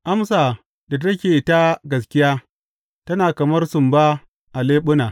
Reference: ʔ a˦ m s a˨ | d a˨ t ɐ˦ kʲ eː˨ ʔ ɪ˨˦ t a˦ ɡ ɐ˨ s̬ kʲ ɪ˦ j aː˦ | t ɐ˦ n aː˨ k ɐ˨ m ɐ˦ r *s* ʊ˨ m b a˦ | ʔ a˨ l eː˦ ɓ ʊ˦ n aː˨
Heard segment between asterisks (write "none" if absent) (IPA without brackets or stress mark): s